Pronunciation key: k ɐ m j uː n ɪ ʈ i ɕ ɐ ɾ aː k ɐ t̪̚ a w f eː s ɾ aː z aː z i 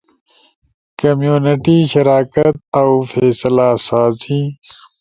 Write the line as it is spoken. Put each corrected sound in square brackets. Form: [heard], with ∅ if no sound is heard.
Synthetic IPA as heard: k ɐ m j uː n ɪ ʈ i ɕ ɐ ɾ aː k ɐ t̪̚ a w f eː s [l] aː [s] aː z i